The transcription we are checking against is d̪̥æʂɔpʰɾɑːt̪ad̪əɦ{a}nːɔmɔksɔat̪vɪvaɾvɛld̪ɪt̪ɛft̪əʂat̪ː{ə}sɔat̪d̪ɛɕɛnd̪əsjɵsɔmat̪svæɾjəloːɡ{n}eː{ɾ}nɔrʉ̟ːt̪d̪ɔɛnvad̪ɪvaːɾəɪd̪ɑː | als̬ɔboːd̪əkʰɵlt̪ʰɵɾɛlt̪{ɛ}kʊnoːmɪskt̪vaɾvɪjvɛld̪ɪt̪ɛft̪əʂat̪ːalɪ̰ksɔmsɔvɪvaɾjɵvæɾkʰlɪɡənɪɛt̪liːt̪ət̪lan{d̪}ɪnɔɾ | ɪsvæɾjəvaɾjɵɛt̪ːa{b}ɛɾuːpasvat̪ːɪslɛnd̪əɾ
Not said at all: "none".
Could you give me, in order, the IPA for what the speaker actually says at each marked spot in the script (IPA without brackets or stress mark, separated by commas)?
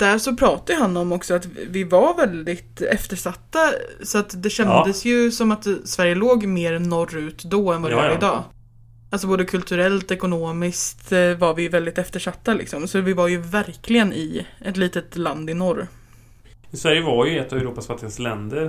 a, a, m, ɾ, ɛ, d̪, v